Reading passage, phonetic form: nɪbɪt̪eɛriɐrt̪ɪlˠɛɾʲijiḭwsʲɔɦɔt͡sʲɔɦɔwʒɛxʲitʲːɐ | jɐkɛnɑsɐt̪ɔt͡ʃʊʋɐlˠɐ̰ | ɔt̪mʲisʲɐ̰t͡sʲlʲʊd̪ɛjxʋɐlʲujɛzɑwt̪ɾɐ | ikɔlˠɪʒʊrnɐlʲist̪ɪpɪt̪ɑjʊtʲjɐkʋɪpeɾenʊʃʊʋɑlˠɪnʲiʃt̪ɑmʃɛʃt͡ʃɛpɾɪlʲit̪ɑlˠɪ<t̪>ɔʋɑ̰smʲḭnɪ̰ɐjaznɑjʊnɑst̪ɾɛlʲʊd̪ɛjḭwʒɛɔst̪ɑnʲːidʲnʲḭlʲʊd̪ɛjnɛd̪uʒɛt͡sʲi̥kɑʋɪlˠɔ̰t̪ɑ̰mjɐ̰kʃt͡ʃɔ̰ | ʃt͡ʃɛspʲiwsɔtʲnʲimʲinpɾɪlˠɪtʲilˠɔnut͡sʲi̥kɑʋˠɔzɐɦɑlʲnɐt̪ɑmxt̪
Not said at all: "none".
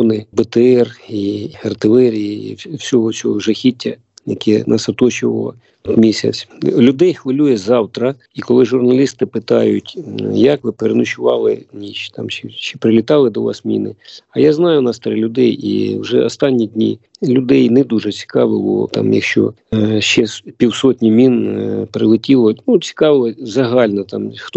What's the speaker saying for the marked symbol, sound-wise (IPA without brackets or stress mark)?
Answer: d̪